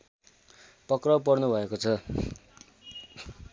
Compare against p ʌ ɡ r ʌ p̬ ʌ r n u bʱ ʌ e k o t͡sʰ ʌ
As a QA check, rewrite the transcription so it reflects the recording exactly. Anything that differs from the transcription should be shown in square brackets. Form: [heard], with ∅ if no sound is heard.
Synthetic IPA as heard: p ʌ [k] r ʌ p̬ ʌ r n u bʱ ʌ e k o t͡sʰ ʌ

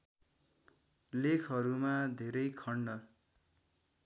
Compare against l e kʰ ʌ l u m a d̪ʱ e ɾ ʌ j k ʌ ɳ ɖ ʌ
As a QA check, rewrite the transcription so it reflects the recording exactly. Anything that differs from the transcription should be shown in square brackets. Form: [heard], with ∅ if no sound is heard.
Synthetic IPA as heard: l e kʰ ʌ [ɾ] u m a d̪ʱ e ɾ ʌ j [kʰ] ʌ ɳ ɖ ʌ

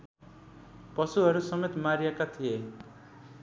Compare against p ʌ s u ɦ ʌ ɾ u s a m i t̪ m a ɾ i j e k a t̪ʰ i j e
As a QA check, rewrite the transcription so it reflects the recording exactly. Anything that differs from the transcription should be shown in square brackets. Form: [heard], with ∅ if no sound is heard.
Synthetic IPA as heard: p ʌ s u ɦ ʌ ɾ u s [ʌ] m [e] t̪ m a ɾ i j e k a t̪ʰ i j e

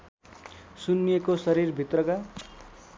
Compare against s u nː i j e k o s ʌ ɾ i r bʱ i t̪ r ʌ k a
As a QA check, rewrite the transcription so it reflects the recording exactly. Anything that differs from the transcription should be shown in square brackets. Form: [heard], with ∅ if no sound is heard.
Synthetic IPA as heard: s u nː i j e k o s ʌ ɾ i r bʱ i t̪ r ʌ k a

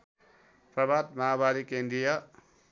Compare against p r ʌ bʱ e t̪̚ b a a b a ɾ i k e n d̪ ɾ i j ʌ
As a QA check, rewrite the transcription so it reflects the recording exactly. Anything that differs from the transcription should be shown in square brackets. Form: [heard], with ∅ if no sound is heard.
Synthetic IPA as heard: p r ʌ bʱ [a] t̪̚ [m] a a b a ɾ i k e n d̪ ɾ i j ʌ

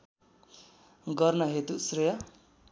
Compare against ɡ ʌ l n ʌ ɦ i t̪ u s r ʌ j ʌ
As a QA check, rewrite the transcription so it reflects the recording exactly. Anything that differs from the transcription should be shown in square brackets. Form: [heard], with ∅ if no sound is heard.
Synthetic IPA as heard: ɡ ʌ [r] n ʌ ɦ [e] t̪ u s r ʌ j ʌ

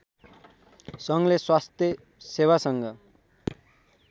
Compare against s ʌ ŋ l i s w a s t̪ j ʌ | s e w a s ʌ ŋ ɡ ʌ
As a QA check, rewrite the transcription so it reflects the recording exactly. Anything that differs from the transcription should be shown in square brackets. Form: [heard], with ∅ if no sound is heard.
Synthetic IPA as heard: s ʌ ŋ l [e] s w a s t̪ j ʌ | s e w a s ʌ ŋ ɡ ʌ

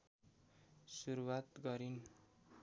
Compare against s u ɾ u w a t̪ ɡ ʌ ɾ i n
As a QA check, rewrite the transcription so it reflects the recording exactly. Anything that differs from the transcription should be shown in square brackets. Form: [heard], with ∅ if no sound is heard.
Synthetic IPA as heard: s u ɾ u w a t̪ ɡ ʌ ɾ i n

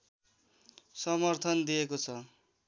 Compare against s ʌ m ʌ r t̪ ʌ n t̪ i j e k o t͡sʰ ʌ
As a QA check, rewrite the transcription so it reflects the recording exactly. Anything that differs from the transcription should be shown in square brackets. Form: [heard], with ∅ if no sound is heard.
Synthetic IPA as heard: s ʌ m ʌ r [t̪ʰ] ʌ n [d̪] i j e k o t͡sʰ ʌ

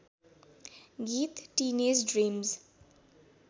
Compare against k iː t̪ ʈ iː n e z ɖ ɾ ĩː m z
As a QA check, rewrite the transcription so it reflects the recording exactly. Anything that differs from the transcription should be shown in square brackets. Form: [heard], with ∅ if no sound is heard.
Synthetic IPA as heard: [ɡ] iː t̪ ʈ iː n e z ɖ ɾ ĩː m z

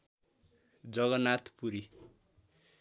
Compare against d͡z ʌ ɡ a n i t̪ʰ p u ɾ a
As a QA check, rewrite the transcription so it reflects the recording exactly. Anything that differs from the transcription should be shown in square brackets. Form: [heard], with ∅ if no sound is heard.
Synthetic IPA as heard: d͡z ʌ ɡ [ʌ] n [a] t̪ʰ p u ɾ [i]

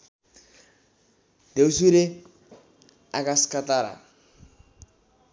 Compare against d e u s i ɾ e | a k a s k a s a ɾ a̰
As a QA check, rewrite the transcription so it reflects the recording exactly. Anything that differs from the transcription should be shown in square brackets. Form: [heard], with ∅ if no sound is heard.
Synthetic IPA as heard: d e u s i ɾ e | a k a s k a [t] a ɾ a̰

